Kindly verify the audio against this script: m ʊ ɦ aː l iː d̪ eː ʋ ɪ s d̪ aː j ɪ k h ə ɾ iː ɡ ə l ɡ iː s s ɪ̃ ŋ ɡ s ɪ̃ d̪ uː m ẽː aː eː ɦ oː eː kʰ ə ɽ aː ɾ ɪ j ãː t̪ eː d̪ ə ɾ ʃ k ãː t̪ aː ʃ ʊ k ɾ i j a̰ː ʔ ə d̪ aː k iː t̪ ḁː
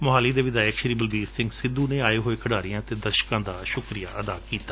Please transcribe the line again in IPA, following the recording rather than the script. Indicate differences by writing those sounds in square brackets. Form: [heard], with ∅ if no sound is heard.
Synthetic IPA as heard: m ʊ ɦ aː l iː d̪ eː ʋ ɪ [∅] d̪ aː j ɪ k [ʃ] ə ɾ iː [b] ə l [b] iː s s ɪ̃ ŋ ɡ s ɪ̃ d̪ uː [n] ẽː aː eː ɦ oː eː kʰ ə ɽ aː ɾ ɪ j ãː t̪ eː d̪ ə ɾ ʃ k ãː [d̪] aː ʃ ʊ k ɾ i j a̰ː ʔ ə d̪ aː k iː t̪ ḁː